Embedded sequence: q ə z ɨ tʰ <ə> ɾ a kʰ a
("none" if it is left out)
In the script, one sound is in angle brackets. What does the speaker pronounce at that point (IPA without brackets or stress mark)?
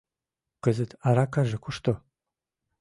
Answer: a